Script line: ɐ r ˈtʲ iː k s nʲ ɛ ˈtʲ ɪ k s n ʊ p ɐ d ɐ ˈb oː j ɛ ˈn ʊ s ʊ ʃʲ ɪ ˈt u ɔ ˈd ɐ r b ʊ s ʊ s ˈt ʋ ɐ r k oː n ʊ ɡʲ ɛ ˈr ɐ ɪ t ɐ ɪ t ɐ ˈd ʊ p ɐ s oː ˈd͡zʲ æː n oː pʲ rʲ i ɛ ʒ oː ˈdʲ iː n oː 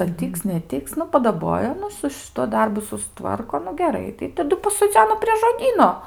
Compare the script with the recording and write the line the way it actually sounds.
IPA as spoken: ɐ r ˈtʲ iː k s nʲ ɛ ˈtʲ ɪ k s n ʊ p ɐ d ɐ ˈb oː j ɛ ˈn ʊ s ʊ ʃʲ ɪ ˈt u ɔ ˈd ɐ r b ʊ s ʊ s ˈt ʋ ɐ r k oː n ʊ ɡʲ ɛ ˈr ɐ ɪ t ɐ ɪ t ɐ ˈd ʊ p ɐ s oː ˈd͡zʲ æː n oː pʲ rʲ i ɛ ʒ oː ˈdʲ iː n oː